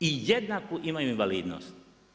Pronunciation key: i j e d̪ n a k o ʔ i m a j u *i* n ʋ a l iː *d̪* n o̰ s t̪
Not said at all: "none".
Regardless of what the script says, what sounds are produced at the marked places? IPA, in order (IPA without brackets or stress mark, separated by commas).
i, d̪